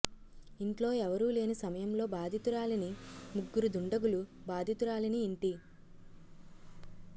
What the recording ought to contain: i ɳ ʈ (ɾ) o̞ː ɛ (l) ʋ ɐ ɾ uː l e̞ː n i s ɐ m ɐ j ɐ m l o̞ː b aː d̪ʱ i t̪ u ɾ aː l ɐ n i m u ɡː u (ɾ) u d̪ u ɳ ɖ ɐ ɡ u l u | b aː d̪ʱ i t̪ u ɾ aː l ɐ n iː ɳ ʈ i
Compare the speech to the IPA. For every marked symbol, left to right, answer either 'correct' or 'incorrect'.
incorrect: l, incorrect: none, correct

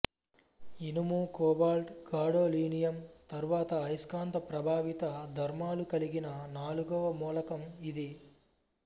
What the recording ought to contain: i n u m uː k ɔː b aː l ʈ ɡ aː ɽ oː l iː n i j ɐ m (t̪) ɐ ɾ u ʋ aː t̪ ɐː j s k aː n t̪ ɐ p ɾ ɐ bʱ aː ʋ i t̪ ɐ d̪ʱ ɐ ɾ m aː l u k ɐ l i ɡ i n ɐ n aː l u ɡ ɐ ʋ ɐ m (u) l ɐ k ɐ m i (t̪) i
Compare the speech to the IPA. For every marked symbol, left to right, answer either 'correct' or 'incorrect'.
correct, incorrect: uː, incorrect: d̪

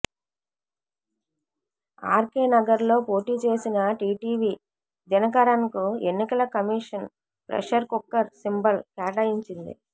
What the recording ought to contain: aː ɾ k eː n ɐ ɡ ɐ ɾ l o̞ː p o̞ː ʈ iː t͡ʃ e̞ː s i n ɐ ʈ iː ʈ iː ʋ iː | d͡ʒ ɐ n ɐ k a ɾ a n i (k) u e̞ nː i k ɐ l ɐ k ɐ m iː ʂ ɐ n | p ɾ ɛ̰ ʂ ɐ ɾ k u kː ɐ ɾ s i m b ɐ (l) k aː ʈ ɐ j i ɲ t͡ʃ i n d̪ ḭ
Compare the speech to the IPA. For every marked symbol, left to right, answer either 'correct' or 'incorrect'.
correct, correct

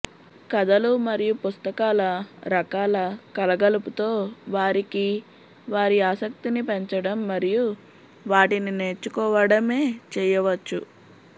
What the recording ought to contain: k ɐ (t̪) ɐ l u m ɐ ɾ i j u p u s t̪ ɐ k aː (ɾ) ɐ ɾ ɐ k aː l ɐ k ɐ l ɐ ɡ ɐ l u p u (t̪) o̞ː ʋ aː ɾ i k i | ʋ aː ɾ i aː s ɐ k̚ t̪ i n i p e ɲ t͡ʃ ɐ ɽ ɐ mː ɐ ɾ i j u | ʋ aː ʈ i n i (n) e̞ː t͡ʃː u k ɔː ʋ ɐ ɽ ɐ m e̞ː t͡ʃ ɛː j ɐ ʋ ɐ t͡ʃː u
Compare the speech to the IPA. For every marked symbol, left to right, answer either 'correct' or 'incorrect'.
incorrect: d̪, incorrect: l, correct, correct

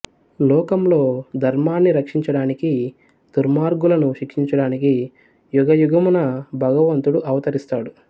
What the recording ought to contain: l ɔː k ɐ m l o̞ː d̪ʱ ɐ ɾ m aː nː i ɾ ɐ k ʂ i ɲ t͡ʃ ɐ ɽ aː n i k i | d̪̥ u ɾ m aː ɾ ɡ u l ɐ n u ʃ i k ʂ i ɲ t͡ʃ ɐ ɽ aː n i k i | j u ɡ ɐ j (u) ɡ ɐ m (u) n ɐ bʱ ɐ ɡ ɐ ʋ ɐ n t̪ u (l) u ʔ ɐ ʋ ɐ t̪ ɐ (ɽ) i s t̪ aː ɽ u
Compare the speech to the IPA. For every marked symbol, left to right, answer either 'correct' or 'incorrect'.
correct, correct, incorrect: ɽ, incorrect: ɾ

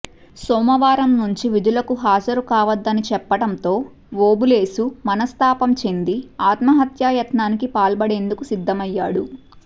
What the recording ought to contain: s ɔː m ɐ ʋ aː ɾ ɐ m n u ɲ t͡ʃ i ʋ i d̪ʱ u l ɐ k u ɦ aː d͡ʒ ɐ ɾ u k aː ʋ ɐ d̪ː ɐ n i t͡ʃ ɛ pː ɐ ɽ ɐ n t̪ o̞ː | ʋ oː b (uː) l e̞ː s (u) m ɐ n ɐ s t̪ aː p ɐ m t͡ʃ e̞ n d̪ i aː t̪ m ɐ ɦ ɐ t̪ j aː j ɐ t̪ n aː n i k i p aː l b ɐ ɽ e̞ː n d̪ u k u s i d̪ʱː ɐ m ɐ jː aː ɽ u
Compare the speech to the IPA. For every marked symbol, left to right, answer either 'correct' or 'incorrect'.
incorrect: u, correct

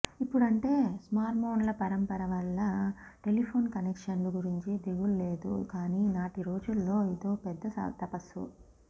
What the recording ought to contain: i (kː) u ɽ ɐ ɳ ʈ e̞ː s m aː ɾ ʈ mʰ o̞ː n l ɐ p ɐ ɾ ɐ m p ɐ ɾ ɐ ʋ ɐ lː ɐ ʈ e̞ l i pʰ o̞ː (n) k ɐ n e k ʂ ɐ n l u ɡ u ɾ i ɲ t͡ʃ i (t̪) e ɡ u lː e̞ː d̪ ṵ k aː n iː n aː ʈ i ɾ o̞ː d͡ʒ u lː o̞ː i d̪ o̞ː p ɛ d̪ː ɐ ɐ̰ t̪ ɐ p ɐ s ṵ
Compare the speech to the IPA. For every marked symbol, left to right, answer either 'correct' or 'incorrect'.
incorrect: pː, correct, incorrect: d̪

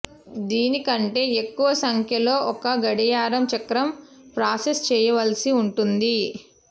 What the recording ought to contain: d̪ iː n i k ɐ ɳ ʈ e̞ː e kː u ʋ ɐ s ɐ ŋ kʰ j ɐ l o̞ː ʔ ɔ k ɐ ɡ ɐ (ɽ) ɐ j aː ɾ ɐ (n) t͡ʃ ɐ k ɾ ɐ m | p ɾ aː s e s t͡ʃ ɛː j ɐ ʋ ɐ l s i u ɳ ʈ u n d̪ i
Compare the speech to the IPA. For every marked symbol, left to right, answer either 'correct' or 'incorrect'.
correct, incorrect: m

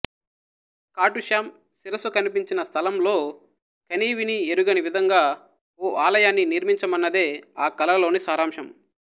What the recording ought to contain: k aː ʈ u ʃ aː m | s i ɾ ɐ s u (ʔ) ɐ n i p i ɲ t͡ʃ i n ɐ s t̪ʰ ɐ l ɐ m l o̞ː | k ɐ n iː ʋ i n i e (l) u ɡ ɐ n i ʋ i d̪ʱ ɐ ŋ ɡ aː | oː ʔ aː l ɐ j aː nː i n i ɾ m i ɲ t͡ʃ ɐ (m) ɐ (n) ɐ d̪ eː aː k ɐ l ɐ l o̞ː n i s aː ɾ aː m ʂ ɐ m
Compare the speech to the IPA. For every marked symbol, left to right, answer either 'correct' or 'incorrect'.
incorrect: k, incorrect: ɾ, correct, incorrect: nː

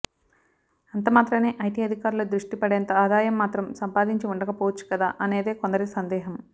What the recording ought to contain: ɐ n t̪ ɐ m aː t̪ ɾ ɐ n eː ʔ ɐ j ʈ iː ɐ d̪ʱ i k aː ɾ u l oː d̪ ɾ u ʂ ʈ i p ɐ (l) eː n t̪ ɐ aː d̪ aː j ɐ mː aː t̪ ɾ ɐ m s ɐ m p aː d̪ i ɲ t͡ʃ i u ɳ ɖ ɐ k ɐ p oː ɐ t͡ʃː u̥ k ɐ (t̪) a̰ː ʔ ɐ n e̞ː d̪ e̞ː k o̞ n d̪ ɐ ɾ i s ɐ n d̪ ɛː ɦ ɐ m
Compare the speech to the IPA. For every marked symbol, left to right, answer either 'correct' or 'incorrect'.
incorrect: ɽ, incorrect: d̪

